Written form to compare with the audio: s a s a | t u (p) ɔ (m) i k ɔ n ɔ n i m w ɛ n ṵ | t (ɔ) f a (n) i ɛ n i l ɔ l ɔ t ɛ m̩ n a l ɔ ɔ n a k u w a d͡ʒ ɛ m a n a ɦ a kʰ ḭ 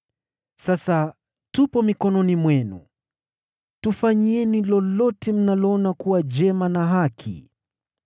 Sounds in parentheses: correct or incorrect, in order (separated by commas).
correct, correct, incorrect, incorrect